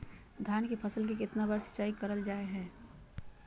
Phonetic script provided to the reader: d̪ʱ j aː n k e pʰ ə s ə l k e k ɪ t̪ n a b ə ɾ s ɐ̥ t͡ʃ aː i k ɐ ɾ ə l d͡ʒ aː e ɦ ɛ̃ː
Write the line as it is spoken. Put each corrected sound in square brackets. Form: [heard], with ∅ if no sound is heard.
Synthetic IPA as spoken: d̪ʱ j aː n k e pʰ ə s ə l k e k ɪ t̪ n a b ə ɾ s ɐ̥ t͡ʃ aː i k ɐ ɾ ə l d͡ʒ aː e ɦ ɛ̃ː